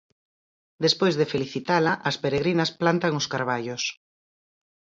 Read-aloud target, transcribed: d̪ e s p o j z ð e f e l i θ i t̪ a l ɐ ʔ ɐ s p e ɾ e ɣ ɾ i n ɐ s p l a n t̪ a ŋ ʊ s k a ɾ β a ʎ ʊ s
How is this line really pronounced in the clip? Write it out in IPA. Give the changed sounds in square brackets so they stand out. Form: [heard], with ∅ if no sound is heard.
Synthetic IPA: d̪ e s p o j z ð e f e l i θ i t̪ a l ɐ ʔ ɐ s p e ɾ e ɣ ɾ i n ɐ s p l a n t̪ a ŋ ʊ s k a ɾ β a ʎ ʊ s